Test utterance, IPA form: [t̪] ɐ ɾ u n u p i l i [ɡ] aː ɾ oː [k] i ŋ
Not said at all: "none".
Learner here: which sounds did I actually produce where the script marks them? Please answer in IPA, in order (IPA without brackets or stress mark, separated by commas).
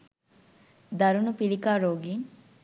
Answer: d̪, k, ɡ